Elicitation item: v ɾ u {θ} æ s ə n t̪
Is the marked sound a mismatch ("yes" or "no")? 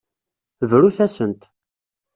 no